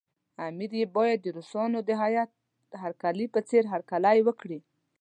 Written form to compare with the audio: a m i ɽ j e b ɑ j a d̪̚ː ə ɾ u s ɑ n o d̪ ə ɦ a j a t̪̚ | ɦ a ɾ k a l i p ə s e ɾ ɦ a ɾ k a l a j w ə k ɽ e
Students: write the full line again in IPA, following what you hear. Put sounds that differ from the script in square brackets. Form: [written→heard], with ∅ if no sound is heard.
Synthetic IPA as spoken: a m i [ɽ→ɾ] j e b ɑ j a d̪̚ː ə ɾ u s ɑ n o d̪ ə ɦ a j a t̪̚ | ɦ a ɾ k a l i p ə [s→t͡s] e ɾ ɦ a ɾ k a l a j w ə k ɽ [e→i]